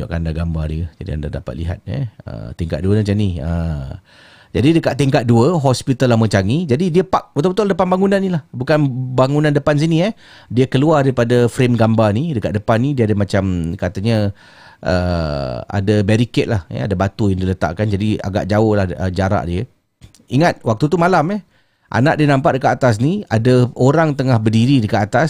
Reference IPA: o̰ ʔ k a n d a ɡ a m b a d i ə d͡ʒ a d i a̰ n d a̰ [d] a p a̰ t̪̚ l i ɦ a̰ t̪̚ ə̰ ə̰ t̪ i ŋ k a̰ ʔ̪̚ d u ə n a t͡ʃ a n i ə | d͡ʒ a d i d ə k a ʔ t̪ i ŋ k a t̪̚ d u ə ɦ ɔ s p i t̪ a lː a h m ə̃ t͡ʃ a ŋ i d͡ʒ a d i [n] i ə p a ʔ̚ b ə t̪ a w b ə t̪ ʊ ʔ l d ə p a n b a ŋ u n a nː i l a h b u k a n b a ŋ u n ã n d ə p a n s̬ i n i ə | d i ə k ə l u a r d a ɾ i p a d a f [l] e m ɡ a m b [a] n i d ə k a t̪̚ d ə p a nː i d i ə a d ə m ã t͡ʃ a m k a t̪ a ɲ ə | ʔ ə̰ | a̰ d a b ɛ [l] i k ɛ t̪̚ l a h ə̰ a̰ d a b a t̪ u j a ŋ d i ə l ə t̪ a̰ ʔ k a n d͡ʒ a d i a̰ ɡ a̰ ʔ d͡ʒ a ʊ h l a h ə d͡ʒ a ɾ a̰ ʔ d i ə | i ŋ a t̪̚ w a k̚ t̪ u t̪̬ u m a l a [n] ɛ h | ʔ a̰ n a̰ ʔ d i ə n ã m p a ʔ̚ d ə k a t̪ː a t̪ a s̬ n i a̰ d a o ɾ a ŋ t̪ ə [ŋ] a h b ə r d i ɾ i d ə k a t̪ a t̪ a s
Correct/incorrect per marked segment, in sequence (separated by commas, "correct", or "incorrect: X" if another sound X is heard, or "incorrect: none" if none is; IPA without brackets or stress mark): correct, incorrect: d, incorrect: ɾ, correct, incorrect: ɾ, incorrect: m, correct